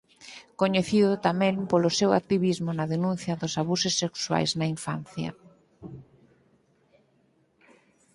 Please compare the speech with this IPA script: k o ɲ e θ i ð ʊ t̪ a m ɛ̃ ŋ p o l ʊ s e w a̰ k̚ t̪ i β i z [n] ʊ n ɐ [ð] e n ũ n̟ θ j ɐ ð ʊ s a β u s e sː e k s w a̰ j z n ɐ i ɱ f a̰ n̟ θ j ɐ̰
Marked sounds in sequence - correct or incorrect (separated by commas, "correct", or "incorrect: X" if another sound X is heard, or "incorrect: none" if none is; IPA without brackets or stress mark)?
incorrect: m, correct